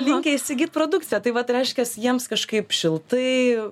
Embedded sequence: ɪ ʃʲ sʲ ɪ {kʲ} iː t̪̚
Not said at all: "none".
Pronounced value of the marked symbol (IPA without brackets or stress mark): ɡʲ